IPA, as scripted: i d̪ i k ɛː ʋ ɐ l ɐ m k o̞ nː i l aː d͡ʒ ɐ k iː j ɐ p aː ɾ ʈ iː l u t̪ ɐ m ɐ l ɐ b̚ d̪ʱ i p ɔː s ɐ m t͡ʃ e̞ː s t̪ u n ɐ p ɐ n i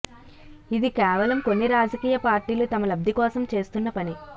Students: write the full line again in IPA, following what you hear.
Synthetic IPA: i d̪ i k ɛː ʋ ɐ l ɐ m k o̞ nː i ɾ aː d͡ʒ ɐ k iː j ɐ p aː ɾ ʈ iː l u t̪ ɐ m ɐ l ɐ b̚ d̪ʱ i k ɔː s ɐ m t͡ʃ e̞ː s t̪ u nː ɐ p ɐ n i